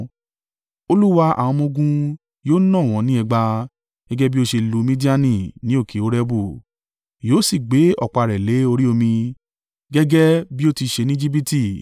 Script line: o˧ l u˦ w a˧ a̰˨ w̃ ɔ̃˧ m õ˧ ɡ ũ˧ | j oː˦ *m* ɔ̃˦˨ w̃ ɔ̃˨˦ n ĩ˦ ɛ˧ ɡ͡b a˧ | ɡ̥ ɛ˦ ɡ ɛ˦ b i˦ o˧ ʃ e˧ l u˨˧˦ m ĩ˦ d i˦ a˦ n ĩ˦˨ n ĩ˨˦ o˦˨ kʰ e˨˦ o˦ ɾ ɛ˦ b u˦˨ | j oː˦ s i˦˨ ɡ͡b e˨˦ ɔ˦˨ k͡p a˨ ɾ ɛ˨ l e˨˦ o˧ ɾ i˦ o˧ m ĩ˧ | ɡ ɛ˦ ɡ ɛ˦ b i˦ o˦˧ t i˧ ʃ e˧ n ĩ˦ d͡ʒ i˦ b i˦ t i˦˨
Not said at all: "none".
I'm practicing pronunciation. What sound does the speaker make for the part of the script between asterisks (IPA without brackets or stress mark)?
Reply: n